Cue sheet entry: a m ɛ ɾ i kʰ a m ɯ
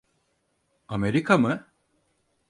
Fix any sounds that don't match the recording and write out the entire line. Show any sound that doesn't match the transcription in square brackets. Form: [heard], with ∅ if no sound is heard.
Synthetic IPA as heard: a m [e] ɾ i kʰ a m ɯ